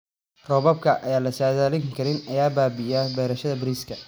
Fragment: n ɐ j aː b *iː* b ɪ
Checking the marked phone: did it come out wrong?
yes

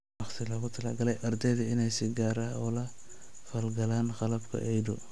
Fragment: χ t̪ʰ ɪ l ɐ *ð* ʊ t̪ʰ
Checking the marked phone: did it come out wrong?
yes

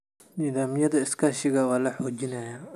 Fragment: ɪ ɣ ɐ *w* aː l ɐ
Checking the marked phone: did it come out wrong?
no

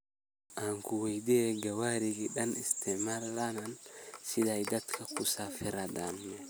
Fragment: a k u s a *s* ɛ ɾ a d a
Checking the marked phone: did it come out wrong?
yes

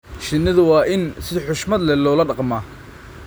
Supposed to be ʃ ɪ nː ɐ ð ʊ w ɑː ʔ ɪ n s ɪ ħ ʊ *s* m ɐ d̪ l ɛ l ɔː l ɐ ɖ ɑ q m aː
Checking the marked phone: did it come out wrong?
yes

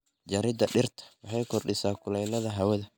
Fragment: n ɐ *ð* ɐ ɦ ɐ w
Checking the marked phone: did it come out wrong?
no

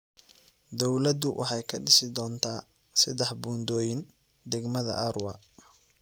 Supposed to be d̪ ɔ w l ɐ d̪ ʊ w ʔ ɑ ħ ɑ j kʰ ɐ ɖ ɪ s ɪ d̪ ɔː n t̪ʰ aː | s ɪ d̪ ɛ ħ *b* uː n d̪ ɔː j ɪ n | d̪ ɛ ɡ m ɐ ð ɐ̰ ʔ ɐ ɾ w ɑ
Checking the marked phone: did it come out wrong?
no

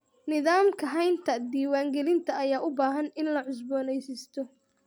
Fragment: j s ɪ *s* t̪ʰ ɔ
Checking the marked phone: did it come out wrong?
no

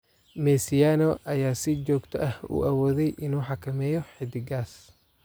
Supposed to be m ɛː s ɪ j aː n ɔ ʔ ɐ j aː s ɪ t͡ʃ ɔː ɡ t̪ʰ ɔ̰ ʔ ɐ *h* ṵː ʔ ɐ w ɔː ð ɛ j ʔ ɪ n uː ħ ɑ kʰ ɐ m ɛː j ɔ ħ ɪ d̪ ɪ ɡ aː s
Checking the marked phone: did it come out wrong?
no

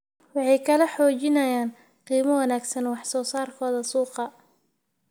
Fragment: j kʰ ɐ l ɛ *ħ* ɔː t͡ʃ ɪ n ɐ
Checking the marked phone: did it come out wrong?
no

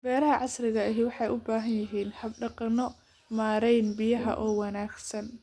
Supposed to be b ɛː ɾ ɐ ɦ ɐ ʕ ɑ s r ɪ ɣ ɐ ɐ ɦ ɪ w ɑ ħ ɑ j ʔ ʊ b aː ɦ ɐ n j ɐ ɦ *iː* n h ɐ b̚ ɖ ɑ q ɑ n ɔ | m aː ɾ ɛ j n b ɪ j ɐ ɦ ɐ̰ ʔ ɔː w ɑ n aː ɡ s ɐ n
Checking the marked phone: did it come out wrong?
no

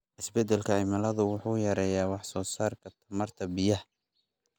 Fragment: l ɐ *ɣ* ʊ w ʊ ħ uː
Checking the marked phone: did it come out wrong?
yes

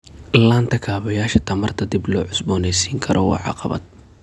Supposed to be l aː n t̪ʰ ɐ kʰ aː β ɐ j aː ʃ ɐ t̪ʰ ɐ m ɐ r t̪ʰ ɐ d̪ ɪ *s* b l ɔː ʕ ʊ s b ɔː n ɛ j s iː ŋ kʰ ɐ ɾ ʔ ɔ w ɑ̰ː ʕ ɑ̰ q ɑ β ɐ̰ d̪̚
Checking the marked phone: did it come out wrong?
yes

